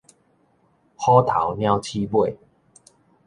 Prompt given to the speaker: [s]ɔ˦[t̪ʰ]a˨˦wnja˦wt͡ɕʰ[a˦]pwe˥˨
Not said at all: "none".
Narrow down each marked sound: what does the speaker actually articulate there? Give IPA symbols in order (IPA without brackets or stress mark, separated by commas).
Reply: h, t̪ʰ, i˦